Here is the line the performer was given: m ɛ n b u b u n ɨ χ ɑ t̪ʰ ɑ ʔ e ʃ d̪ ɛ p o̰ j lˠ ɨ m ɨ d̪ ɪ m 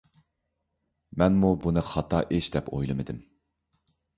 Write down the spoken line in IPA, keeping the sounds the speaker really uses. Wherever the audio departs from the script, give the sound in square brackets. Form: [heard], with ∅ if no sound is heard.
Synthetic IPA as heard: m ɛ n [m] u b u n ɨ χ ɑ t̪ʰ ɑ ʔ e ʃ d̪ ɛ p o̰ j lˠ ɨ m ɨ d̪ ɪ m